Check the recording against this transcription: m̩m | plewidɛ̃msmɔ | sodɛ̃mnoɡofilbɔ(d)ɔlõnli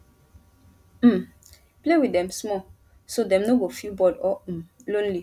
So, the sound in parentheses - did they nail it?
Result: yes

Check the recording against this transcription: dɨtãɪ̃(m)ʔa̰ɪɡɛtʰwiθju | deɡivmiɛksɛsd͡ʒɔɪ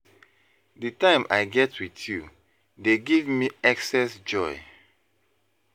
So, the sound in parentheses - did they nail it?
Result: yes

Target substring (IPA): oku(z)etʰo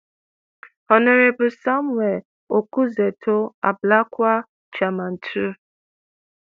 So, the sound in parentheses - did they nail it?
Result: yes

